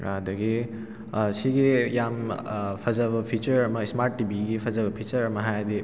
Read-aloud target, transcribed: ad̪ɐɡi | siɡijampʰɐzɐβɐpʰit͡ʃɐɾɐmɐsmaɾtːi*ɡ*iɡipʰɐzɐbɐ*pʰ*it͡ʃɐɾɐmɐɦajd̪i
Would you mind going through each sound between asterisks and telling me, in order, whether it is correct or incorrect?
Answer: incorrect: b, correct

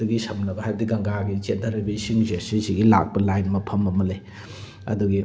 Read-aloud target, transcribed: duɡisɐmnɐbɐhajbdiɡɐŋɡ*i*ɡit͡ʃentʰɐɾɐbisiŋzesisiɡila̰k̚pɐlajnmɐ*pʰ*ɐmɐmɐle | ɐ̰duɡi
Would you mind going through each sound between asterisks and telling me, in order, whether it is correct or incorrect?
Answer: incorrect: a, correct

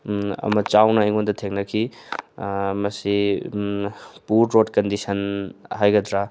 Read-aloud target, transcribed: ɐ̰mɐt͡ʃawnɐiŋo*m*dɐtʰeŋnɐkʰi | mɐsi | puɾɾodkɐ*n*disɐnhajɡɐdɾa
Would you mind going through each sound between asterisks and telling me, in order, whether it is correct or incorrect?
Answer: incorrect: n, correct

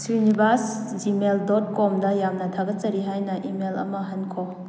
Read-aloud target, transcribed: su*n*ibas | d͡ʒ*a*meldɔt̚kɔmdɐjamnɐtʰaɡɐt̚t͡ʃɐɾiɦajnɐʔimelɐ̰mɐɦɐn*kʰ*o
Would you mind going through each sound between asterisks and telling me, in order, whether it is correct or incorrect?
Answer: correct, incorrect: i, correct

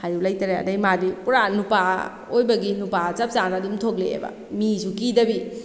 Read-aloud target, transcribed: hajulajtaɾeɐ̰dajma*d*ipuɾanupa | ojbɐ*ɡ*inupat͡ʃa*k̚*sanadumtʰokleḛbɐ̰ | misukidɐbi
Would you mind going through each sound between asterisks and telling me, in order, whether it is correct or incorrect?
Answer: correct, correct, incorrect: p̚

